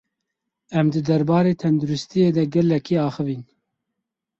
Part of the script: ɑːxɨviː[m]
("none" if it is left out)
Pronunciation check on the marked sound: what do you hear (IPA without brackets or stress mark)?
n